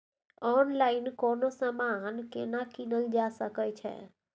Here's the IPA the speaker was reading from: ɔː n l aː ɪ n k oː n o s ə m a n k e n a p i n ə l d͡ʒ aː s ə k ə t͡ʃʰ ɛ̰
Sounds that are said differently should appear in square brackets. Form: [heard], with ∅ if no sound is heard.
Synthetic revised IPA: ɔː n l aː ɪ n k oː n o s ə m a n k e n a [k] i n ə l d͡ʒ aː s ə k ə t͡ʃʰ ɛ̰